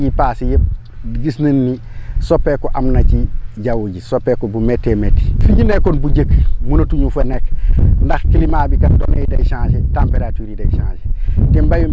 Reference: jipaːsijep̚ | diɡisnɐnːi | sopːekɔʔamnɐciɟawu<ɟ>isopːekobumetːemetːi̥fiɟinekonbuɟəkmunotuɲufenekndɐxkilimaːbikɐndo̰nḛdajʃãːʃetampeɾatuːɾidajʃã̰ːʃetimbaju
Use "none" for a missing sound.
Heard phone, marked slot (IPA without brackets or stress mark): ɟ